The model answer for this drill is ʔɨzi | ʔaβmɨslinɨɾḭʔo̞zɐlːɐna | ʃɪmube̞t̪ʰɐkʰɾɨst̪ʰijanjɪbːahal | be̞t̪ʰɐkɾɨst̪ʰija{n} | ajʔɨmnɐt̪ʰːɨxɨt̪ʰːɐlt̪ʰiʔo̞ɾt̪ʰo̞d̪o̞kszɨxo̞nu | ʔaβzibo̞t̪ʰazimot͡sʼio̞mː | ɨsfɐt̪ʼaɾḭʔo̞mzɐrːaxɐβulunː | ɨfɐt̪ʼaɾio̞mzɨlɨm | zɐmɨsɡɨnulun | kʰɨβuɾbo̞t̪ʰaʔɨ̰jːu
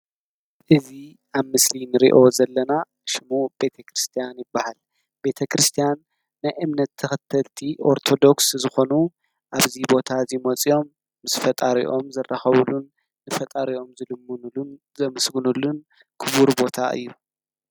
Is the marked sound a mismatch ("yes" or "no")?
yes